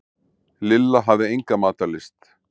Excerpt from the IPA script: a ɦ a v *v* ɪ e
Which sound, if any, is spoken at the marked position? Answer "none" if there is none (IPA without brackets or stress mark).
ð